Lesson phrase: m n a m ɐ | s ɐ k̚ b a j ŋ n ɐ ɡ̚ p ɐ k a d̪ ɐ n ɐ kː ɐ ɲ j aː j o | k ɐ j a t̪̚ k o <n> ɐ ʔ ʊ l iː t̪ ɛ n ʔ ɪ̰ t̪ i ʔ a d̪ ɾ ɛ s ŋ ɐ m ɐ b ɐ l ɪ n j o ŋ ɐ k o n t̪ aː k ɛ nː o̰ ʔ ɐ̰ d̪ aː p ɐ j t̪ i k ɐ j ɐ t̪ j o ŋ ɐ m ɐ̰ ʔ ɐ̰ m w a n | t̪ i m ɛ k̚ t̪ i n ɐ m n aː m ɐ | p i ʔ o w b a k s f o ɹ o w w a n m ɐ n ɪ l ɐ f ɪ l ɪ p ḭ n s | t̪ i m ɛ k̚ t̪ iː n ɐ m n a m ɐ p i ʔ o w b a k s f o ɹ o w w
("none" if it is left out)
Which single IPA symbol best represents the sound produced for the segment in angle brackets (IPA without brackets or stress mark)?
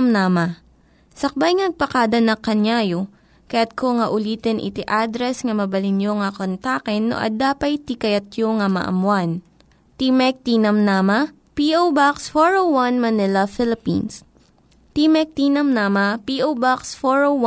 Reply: ŋ